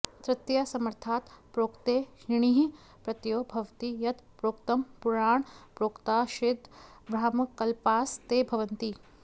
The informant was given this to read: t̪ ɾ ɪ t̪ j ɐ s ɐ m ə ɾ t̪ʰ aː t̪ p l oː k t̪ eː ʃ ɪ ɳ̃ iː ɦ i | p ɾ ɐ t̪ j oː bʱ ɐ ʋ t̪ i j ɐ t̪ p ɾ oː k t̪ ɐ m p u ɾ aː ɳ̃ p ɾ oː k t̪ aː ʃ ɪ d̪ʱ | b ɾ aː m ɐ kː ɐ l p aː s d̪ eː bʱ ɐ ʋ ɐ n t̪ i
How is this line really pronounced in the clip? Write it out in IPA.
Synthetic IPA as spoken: t̪ ɾ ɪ t̪ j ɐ s ɐ m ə ɾ t̪ʰ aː t̪ p ɾ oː k t̪ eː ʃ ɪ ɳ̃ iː ɦ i | p ɾ ɐ t̪ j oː bʱ ɐ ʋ t̪ i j ɐ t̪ p ɾ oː k t̪ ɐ m p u ɾ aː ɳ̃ p ɾ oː k t̪ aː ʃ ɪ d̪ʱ | b ɾ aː m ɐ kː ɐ l p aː s t̪ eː bʱ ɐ ʋ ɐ n t̪ i